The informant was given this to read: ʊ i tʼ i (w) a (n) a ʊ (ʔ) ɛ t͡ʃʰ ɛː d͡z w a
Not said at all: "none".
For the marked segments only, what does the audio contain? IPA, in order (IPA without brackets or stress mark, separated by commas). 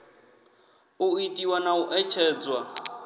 w, n, ʔ